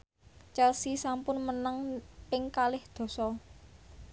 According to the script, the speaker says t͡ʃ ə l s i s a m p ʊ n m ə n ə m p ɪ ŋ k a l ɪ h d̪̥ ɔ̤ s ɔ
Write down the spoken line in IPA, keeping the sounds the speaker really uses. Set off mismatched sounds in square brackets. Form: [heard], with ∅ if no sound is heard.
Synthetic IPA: t͡ʃ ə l s i s a m p ʊ n m ə n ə [ŋ] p ɪ ŋ k a l ɪ h d̪̥ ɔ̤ s ɔ